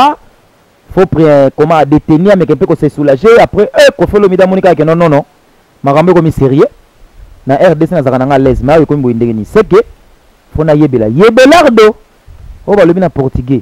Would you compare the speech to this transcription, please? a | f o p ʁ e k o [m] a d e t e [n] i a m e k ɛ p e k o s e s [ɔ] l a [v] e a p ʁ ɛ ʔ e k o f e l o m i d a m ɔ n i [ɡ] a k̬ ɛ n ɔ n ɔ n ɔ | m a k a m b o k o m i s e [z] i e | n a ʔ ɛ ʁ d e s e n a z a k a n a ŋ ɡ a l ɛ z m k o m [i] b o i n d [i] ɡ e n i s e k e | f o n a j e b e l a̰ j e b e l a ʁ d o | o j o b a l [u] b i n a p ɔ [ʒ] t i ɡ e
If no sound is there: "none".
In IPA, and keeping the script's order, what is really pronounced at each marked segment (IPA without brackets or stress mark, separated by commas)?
m, n, u, ʒ, k, ʁ, i, e, o, ʁ